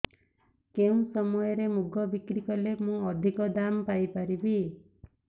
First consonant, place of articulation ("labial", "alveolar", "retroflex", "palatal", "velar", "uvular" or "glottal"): velar